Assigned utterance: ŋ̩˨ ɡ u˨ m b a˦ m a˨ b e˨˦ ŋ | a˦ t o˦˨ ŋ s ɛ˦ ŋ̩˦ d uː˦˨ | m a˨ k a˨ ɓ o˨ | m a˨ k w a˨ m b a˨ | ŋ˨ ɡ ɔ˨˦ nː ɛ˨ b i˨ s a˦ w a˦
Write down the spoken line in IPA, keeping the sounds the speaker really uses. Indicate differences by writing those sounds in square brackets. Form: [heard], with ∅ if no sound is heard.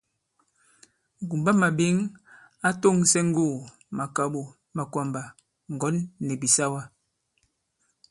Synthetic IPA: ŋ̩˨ ɡ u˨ m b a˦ m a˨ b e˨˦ ŋ | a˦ t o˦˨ ŋ s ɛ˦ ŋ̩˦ [ɡ] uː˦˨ | m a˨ k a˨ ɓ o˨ | m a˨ k w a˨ m b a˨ | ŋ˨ ɡ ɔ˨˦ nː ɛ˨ b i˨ s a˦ w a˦